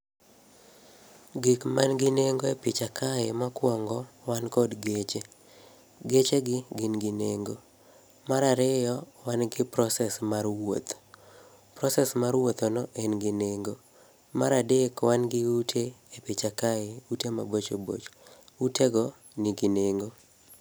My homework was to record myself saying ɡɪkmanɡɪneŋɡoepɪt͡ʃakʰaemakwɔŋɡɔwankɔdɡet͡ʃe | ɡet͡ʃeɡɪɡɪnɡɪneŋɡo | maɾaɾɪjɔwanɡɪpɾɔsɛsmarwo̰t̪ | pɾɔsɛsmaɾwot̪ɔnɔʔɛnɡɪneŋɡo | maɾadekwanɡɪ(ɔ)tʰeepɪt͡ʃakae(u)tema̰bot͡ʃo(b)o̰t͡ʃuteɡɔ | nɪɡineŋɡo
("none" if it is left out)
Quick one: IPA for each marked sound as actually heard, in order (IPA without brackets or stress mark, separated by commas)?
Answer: u, u, b